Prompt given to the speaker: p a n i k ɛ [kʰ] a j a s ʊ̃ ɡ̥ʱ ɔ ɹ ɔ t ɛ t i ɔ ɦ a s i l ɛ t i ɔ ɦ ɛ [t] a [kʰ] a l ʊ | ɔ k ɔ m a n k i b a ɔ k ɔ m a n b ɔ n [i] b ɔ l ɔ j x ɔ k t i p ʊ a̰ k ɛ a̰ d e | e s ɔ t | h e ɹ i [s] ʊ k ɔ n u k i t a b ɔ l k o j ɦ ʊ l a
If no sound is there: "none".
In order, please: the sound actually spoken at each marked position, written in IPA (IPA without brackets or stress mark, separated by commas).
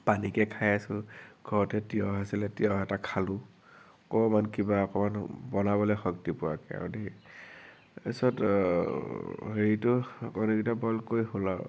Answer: kʰ, t, kʰ, a, t